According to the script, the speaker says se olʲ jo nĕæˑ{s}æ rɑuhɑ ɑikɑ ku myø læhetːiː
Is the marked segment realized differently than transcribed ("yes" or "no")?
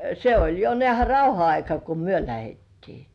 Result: yes